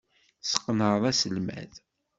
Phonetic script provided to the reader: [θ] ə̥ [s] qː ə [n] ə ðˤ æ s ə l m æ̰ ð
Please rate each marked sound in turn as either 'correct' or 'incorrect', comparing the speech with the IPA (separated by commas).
incorrect, incorrect, correct